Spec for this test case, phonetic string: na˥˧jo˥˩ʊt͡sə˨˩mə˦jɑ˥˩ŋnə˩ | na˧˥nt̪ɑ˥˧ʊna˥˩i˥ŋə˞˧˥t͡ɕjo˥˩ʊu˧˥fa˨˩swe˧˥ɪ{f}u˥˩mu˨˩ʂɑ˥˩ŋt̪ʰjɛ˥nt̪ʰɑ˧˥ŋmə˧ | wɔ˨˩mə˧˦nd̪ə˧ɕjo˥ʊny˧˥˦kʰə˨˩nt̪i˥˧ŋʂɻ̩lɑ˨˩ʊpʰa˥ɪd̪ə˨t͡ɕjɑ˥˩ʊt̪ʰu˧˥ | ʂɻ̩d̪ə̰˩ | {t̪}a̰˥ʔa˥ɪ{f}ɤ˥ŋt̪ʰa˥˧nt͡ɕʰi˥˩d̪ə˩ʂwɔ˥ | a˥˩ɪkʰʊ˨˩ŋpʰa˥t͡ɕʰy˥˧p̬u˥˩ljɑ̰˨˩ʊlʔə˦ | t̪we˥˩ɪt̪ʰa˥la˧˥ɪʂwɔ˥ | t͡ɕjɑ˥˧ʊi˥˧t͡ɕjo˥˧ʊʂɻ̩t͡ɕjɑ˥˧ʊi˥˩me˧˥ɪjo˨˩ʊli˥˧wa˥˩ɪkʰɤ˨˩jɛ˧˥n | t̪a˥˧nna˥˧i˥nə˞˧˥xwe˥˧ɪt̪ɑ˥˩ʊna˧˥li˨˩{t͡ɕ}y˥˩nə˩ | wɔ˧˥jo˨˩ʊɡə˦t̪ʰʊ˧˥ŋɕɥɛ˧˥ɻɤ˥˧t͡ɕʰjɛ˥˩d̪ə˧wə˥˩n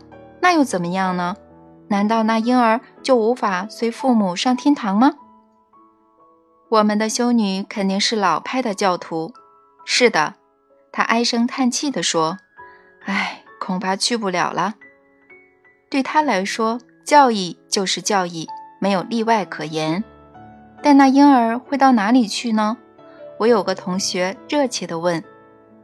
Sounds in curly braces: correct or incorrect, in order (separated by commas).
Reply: correct, incorrect, incorrect, incorrect